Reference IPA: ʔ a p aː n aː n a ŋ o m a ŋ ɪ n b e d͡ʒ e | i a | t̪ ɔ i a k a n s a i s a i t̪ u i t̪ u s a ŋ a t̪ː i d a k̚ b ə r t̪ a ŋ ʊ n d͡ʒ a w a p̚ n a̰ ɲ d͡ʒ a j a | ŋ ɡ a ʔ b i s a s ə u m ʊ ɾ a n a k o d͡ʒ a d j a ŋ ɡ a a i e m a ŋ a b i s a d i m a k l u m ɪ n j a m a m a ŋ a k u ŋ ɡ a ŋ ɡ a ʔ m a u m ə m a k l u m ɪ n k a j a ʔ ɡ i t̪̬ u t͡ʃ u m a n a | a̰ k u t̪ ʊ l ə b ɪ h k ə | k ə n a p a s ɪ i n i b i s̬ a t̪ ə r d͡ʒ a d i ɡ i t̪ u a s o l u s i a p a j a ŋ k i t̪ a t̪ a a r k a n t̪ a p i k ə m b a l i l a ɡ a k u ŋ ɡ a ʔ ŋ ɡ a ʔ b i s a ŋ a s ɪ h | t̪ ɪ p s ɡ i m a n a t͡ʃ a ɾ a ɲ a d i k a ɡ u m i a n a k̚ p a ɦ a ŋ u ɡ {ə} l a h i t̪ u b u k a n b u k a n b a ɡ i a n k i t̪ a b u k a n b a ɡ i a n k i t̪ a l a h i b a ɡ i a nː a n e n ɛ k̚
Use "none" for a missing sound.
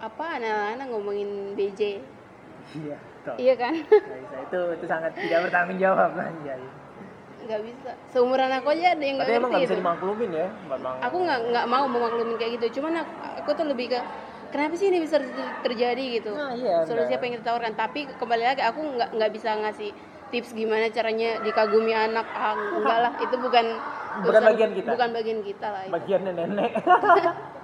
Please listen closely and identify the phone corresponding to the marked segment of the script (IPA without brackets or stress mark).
a